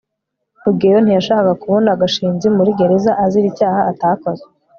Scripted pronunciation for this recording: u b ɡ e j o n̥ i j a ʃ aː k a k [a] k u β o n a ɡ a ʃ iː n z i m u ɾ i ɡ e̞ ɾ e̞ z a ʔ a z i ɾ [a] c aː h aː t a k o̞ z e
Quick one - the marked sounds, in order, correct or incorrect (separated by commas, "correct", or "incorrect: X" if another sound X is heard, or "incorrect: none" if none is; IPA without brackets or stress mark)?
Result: correct, incorrect: i